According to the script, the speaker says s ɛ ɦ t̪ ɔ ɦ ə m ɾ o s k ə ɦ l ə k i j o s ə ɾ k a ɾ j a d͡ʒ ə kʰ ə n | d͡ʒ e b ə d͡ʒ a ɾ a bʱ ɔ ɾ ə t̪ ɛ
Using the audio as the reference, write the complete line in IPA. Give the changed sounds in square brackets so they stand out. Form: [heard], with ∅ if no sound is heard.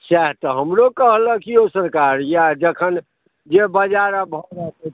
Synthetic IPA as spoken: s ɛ ɦ t̪ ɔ ɦ ə m ɾ o [∅] k ə ɦ l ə k i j o s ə ɾ k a ɾ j a d͡ʒ ə kʰ ə n | d͡ʒ e b ə d͡ʒ a ɾ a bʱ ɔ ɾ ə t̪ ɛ